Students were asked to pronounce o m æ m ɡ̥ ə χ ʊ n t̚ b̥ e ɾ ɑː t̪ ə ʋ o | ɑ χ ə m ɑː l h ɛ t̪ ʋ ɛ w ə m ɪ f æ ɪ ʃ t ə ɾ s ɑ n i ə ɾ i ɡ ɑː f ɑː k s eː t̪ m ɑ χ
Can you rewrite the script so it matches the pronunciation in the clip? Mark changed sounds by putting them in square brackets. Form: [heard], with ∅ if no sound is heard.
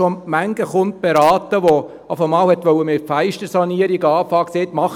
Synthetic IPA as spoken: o m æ [ŋ] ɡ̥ ə χ ʊ n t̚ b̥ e ɾ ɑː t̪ ə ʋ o | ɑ [f] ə m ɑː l h ɛ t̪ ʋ [œ] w ə m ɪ f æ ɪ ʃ t ə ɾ s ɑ n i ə ɾ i ɡ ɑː f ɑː k s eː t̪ m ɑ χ